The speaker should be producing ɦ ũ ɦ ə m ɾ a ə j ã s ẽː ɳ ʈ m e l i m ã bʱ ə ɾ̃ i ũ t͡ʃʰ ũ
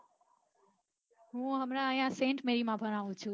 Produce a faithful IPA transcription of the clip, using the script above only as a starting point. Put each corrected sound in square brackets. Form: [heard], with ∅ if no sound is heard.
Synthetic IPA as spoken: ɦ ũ ɦ ə m ɾ a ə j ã s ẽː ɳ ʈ m e [ɾ] i m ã bʱ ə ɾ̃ [a] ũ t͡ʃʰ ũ